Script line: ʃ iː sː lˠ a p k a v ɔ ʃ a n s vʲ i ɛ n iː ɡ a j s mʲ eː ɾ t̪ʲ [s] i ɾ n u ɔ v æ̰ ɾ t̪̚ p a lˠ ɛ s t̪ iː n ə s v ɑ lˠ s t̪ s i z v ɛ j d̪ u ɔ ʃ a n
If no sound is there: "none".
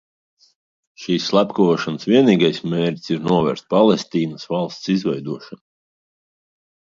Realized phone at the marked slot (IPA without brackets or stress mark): s